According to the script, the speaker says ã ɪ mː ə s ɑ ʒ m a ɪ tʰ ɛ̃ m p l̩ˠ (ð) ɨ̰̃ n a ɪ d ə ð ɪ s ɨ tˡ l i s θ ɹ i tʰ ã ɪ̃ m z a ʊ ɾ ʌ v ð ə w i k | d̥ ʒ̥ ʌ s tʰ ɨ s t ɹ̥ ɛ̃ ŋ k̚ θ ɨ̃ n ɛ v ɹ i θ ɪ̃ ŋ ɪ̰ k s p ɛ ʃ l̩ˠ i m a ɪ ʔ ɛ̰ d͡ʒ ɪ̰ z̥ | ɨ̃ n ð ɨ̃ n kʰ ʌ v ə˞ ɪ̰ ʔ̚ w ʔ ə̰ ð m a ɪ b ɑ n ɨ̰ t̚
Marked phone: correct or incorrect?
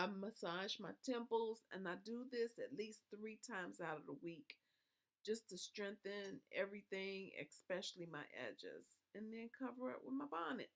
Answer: incorrect